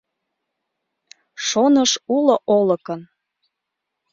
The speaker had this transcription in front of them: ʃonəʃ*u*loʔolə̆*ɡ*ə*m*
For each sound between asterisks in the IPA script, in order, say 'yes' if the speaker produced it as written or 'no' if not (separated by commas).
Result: yes, no, no